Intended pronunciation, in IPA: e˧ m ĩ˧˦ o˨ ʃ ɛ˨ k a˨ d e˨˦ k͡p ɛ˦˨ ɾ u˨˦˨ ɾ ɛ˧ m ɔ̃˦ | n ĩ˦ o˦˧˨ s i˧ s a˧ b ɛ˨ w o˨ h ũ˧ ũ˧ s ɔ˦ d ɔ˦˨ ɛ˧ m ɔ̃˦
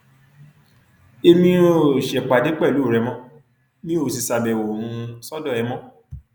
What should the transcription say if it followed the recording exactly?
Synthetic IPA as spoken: e˧ m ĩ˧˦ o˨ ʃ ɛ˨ k͡p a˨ d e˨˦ k͡p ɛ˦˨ l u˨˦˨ ɾ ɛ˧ m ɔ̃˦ | n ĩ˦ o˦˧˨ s i˧ s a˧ b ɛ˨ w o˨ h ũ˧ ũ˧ s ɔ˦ d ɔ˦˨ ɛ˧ m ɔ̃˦